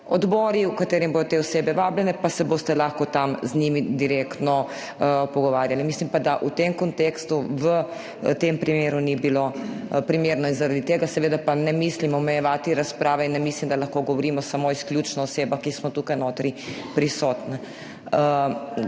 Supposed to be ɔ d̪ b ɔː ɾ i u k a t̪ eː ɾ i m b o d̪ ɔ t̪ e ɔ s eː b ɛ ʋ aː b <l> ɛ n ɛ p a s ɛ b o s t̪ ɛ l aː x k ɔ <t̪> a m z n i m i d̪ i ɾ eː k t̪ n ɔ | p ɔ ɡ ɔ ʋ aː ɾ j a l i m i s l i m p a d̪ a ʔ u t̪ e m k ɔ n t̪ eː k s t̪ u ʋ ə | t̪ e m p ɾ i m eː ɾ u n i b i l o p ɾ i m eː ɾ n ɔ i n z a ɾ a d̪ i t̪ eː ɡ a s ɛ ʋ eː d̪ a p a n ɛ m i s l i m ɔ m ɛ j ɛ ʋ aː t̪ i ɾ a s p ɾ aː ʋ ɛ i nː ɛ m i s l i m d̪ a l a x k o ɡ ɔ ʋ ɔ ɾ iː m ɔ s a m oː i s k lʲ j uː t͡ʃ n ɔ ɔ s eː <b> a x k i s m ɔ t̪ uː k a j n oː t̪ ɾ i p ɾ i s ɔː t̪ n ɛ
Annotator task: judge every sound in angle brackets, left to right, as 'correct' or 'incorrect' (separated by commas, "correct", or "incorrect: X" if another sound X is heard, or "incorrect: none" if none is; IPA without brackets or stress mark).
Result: correct, correct, correct